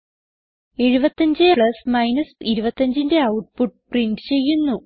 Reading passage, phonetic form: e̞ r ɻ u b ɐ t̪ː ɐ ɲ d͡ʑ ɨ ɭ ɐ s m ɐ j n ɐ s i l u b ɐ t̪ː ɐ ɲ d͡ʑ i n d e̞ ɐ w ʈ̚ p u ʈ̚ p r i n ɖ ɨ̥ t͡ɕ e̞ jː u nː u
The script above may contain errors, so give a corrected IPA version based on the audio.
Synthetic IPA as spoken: e̞ ɻ u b ɐ t̪ː ɐ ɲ d͡ʑ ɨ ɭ ɐ s m ɐ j n ɐ s i ɾ u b ɐ t̪ː ɐ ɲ d͡ʑ i n d e̞ ɐ w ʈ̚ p u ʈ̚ p r i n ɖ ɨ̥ t͡ɕ e̞ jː u nː u